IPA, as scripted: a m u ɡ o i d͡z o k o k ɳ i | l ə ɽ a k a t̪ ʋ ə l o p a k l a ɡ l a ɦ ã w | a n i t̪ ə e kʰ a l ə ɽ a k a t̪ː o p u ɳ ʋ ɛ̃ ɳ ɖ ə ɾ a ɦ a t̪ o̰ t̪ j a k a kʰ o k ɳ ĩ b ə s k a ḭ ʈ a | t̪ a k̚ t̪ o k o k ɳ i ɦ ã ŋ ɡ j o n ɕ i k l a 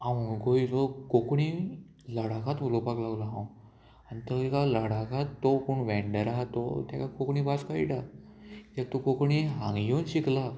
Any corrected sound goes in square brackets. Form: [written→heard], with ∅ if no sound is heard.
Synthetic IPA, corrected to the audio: a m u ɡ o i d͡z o k o k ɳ i | l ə ɽ a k a t̪ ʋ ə l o p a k l a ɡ l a ɦ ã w | a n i t̪ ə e [kʰ→k] a l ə ɽ a k a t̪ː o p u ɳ ʋ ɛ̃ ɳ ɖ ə ɾ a ɦ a t̪ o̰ t̪ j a k a [kʰ→k] o k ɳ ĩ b [ə→a] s k a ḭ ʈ a | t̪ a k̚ t̪ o k o k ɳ i ɦ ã ŋ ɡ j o n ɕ i k l a